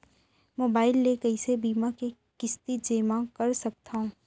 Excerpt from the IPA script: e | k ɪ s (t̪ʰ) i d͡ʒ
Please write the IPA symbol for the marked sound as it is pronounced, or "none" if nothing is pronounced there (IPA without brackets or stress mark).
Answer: t̪